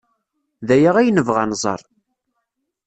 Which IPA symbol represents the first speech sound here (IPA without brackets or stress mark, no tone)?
ð